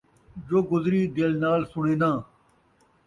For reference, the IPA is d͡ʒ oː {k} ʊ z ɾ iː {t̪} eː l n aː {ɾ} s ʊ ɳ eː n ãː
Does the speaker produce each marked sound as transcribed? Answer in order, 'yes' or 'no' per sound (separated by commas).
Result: no, no, no